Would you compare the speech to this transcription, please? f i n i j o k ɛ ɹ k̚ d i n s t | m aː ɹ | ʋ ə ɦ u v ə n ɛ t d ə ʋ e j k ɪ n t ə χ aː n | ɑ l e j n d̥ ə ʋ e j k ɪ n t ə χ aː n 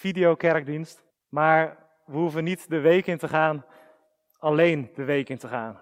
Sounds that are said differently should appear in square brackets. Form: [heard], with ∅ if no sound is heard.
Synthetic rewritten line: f i [d] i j o k ɛ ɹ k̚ d i n s t | m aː ɹ | ʋ ə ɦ u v ə n [i] t d ə ʋ e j k ɪ n t ə χ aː n | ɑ l e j n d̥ ə ʋ e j k ɪ n t ə χ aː n